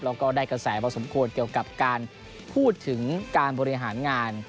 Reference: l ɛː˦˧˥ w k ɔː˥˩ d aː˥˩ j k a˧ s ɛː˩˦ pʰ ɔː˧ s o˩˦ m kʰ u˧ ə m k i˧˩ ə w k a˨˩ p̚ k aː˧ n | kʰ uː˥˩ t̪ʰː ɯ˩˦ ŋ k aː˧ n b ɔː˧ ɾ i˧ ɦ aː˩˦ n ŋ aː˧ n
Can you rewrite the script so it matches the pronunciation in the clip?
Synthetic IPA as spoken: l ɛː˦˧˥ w k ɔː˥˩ d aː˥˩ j k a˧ s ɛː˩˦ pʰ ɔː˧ s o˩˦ m kʰ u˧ ə n k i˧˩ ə w k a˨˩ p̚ k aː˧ n | pʰ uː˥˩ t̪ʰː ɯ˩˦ ŋ k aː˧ n b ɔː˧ ɾ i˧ ɦ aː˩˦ n ŋ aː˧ n